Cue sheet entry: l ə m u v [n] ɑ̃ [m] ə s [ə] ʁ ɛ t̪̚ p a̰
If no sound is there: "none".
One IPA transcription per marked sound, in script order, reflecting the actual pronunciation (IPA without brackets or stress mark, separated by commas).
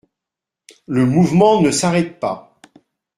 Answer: m, n, a